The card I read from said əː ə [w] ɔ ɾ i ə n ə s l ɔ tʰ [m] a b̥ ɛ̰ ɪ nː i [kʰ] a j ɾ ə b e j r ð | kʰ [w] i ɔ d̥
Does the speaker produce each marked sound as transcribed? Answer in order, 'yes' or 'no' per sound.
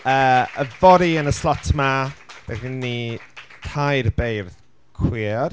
no, yes, no, yes

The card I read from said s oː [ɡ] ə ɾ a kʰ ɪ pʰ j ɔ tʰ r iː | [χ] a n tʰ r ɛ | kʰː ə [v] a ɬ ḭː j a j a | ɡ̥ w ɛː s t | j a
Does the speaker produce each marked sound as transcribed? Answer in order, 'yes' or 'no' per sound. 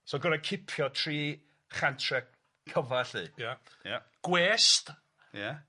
yes, yes, yes

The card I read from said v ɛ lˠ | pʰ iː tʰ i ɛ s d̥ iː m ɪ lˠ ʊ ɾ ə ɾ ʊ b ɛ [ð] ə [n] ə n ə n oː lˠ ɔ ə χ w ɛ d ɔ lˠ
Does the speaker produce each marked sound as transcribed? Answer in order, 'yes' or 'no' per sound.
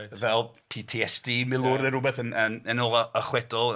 no, yes

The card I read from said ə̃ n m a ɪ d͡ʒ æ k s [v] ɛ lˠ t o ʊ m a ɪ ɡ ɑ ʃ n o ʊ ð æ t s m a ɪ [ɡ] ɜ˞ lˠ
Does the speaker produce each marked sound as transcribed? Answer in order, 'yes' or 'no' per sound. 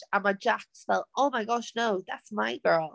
no, yes

